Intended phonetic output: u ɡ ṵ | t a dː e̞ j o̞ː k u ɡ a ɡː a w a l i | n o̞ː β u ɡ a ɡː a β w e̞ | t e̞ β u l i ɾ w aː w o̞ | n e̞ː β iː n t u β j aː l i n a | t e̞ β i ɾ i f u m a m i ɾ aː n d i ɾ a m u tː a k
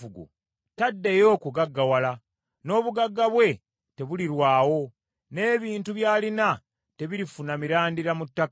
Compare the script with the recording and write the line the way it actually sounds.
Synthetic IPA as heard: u ɡ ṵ | t a dː e̞ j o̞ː k u ɡ a ɡː a w a l a | n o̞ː β u ɡ a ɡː a β w e̞ | t e̞ β u l i ɾ w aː w o̞ | n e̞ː β iː n t u β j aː l i n a | t e̞ β i ɾ i f u n a m i ɾ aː n d i ɾ a m u tː a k